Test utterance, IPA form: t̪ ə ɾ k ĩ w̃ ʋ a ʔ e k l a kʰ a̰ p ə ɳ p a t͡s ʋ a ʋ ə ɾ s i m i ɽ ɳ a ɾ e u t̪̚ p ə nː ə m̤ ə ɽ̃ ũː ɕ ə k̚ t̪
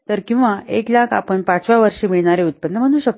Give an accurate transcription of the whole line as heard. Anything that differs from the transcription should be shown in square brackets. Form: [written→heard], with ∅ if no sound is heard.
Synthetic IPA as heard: t̪ ə ɾ k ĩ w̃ ʋ a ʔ e k l a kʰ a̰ p ə ɳ p a t͡s ʋ a ʋ ə ɾ [s→ʂ] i m i [ɽ→ɭ] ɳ a ɾ e u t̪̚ p ə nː ə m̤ ə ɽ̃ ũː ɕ ə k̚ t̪

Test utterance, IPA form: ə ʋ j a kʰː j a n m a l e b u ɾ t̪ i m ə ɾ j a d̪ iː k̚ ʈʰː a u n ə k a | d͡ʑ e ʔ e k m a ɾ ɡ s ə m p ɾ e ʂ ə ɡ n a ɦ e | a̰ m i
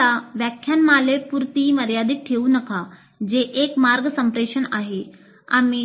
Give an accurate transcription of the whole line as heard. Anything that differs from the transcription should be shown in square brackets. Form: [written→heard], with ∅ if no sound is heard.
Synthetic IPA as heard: [ə→a] ʋ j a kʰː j a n m a l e [b→p] u ɾ t̪ i m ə ɾ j a d̪ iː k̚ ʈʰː [a→e] u n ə k a | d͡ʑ e ʔ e k m a ɾ ɡ s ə m p ɾ e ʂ ə [ɡ→∅] n a ɦ e | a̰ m i

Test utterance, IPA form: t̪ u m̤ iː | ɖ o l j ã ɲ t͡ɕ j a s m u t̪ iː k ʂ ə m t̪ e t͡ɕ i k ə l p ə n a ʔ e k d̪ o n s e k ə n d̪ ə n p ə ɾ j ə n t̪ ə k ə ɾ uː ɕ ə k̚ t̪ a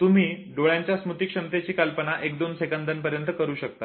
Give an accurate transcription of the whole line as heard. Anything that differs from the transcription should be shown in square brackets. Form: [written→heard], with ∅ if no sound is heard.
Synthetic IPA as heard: t̪ u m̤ iː | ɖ o [l→ɭ] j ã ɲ t͡ɕ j a s m u t̪ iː k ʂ ə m t̪ e t͡ɕ [i→iː] k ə l p ə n a ʔ e k d̪ o n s e k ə n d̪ ə n p ə ɾ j ə n t̪ ə k ə ɾ uː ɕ ə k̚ t̪ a

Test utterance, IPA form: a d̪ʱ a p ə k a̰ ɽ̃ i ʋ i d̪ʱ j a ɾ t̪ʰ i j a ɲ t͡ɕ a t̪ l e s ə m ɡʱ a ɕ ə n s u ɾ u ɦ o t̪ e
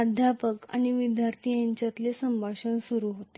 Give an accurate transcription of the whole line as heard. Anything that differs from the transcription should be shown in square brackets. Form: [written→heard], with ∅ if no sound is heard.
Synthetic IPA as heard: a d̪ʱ a p ə k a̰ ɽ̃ i ʋ i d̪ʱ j a ɾ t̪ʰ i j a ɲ t͡ɕ a t̪ l e s ə m [ɡʱ→bʱ] a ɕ ə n s u ɾ u ɦ o t̪ e

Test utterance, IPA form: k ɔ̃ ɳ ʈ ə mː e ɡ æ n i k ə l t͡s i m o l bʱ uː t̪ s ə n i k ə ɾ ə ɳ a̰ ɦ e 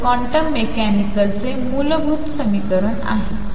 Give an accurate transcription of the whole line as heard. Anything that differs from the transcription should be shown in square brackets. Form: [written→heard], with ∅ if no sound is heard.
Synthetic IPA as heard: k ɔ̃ ɳ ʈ ə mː e [ɡ→k] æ n i k ə l t͡s [i→e] m [o→u] l bʱ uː t̪ s ə [n→m] i k ə ɾ ə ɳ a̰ ɦ e

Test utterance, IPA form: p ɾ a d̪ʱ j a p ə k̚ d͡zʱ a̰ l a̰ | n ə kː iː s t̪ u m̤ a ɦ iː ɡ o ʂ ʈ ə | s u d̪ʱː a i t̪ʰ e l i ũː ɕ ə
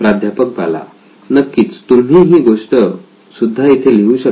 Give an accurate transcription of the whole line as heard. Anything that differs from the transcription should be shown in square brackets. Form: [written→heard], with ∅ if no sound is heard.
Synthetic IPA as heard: p ɾ a d̪ʱ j a p ə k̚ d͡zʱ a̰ l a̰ | n ə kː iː [s→t͡s] t̪ u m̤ [a→i] ɦ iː ɡ o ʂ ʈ ə | s u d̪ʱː a i t̪ʰ e l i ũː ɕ ə

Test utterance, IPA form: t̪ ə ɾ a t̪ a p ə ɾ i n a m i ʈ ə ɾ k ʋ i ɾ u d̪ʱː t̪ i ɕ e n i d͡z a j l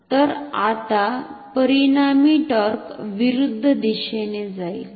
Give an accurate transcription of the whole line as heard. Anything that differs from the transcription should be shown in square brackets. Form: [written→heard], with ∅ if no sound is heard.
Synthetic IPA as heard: t̪ ə ɾ a t̪ a p ə ɾ i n a m i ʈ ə ɾ k ʋ i ɾ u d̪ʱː [t̪→d̪] i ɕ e n [i→e] d͡z a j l

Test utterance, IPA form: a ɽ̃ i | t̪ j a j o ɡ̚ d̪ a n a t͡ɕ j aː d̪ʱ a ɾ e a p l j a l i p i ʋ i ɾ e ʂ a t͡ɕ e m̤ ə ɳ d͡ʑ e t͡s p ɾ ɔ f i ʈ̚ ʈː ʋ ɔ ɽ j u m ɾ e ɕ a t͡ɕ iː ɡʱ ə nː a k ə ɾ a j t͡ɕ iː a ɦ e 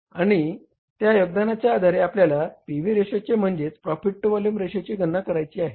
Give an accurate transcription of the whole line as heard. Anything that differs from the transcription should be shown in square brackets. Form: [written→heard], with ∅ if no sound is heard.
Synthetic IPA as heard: a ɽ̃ i | t̪ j a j o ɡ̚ d̪ a n a t͡ɕ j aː d̪ʱ a ɾ e a p l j a l [i→a] p i ʋ i ɾ e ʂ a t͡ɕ e m̤ ə ɳ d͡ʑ e t͡s p ɾ ɔ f i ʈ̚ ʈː ʋ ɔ [ɽ→l] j u m ɾ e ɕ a t͡ɕ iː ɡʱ ə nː a k ə ɾ a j t͡ɕ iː a ɦ e

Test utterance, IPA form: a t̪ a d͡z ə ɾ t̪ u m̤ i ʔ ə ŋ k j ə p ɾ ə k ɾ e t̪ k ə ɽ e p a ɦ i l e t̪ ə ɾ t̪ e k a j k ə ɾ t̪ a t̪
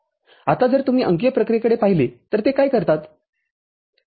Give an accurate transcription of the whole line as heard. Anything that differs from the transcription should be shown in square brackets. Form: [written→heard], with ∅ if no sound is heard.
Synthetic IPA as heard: a t̪ a d͡z ə ɾ t̪ u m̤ [i→iː] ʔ ə ŋ k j ə p ɾ ə k ɾ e [t̪→∅] k ə ɽ e p a ɦ i l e t̪ ə ɾ t̪ e k a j k ə ɾ t̪ a t̪

